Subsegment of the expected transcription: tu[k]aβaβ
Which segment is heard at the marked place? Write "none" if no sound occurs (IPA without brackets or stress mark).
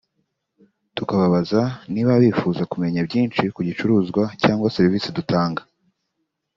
k